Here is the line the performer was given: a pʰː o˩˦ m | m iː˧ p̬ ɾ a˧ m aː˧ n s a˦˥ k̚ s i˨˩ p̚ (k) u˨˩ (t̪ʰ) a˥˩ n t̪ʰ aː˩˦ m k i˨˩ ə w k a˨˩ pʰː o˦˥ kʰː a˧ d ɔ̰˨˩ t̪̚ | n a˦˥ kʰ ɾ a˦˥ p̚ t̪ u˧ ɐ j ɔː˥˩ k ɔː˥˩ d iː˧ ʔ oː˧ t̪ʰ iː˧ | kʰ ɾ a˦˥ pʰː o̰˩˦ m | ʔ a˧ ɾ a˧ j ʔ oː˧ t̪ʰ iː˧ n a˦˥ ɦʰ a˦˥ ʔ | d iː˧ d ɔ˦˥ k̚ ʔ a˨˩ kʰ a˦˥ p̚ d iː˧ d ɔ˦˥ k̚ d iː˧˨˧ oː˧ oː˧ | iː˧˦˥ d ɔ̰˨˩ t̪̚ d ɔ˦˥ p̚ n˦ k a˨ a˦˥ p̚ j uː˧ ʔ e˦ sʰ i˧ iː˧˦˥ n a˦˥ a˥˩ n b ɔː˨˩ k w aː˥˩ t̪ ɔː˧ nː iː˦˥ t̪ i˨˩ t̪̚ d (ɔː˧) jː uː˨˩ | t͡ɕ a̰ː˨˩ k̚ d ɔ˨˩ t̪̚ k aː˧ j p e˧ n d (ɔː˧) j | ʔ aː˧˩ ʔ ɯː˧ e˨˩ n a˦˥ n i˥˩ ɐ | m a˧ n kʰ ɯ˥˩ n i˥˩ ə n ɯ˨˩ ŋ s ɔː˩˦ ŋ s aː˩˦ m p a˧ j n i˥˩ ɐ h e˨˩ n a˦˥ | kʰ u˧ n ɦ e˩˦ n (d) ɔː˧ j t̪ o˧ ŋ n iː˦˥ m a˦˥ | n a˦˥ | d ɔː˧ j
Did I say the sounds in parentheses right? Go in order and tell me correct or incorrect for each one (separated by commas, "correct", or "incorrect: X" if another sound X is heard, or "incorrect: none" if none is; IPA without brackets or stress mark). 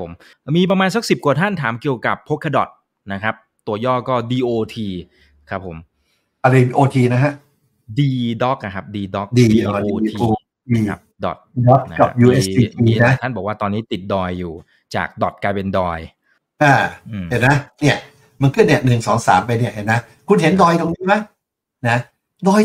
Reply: correct, correct, correct, correct, correct